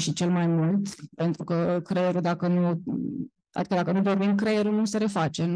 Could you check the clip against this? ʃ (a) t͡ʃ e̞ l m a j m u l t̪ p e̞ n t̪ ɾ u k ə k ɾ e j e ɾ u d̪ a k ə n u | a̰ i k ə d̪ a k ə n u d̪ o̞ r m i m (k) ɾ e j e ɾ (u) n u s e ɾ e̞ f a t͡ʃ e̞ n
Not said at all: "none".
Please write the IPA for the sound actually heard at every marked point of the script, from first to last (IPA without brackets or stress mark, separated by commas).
i, k, u